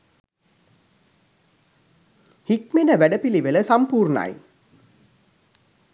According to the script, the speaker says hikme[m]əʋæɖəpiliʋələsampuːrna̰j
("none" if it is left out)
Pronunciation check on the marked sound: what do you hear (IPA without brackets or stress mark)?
n